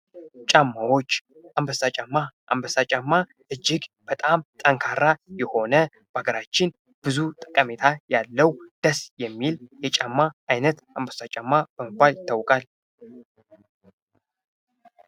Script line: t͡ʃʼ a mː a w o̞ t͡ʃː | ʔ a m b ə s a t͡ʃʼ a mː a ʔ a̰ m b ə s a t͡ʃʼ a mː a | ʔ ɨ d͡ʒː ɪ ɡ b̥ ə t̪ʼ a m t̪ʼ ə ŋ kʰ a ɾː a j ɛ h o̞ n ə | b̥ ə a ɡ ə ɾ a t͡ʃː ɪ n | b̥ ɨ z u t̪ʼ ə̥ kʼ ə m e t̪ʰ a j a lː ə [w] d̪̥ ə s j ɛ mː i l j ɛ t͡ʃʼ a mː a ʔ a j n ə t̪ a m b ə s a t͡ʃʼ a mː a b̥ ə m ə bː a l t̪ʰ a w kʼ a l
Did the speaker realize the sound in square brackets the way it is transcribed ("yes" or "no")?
yes